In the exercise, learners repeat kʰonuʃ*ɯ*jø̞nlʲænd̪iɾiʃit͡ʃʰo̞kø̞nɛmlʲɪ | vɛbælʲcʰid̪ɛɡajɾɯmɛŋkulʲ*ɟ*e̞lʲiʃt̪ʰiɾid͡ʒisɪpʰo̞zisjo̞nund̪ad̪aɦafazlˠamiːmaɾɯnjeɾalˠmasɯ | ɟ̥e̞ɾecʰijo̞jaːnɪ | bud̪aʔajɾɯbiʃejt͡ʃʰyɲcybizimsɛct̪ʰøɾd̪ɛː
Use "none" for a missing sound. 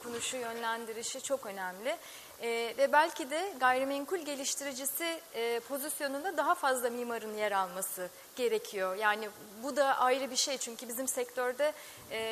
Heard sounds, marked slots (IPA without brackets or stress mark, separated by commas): u, ɟ